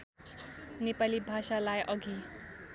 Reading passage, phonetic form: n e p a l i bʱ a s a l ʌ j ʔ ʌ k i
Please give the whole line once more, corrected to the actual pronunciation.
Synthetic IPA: n e p a l i bʱ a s a l a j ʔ ʌ ɡ i